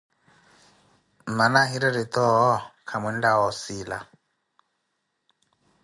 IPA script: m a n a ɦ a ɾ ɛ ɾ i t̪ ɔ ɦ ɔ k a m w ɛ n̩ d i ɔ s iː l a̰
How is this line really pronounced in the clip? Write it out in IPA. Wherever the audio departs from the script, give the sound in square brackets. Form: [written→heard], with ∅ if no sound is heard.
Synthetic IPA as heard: m a n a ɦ [a→i] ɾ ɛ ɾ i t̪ ɔ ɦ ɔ [k→kʰ] a m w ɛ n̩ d [i→a] ɔ s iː l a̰